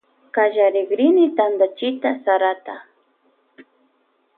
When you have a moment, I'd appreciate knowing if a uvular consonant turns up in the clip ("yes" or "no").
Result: no